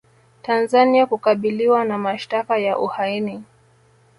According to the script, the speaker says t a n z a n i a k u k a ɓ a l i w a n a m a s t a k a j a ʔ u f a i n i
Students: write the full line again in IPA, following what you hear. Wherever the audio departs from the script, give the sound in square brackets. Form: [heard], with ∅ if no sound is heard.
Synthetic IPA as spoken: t a n z a n i a k u k a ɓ [i] l i w a n a m a [ʃ] t a k a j a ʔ u [h] a i n i